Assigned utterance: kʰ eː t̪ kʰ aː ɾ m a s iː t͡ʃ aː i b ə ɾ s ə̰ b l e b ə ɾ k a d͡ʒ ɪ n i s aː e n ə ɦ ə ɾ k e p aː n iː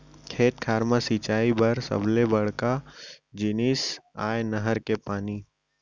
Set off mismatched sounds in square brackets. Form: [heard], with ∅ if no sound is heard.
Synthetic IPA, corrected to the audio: kʰ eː t̪ kʰ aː ɾ m a s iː t͡ʃ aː i b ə ɾ s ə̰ b l e b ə [ɽ] k a d͡ʒ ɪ n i s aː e n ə ɦ ə ɾ k e p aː n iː